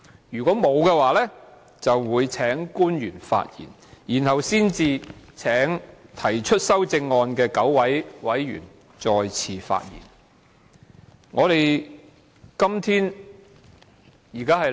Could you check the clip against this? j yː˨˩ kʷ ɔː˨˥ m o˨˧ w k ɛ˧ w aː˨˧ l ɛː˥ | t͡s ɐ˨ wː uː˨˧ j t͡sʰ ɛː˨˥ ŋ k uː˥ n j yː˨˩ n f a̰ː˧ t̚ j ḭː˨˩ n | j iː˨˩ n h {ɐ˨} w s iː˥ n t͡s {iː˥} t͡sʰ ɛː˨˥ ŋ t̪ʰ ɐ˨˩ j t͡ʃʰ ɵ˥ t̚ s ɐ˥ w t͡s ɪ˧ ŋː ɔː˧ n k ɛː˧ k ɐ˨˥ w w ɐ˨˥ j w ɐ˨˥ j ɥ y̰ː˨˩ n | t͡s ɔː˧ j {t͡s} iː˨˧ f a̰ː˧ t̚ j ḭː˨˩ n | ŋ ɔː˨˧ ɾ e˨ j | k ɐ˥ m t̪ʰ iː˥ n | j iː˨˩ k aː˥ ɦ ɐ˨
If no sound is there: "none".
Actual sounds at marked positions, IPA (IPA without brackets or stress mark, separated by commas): ɐ˨, iː˧, t͡sʰ